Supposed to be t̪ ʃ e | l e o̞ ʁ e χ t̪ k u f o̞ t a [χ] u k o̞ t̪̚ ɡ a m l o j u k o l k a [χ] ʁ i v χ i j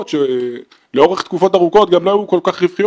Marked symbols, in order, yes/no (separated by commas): no, yes